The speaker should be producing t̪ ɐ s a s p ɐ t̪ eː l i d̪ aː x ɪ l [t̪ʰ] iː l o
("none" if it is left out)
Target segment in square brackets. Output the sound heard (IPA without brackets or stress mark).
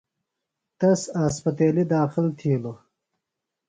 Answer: t̪ʰ